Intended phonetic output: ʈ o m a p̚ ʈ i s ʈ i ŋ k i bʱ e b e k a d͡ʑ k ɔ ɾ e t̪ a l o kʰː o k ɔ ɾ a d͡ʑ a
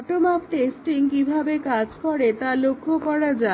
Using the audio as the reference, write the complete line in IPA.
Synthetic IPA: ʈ o m a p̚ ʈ e s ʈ i ŋ k i bʱ a b e k a d͡ʑ k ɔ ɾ e t̪ a l o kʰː o k ɔ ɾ a d͡ʑ a